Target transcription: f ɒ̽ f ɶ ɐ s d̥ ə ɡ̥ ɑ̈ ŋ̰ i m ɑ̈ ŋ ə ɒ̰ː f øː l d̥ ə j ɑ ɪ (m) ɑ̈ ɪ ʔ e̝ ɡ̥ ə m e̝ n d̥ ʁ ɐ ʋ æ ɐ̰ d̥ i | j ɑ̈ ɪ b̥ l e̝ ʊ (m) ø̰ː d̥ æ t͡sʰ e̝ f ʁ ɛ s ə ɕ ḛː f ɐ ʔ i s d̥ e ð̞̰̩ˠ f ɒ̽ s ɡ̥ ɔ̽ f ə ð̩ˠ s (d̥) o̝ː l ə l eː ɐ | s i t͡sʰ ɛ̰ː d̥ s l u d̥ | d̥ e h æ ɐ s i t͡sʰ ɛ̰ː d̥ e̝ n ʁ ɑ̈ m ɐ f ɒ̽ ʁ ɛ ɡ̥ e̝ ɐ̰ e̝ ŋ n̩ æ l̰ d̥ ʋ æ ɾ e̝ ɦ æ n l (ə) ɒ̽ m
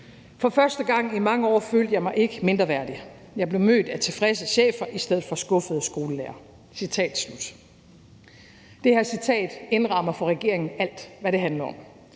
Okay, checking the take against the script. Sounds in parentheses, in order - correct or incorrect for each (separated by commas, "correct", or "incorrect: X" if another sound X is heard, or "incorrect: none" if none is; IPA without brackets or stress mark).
correct, correct, incorrect: ɡ̥, incorrect: ɐ